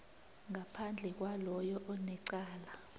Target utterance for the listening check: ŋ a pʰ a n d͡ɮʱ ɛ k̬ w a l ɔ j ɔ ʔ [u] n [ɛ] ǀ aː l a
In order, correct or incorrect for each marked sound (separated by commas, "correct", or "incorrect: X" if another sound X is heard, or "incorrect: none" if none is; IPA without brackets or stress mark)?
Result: incorrect: ɔ, correct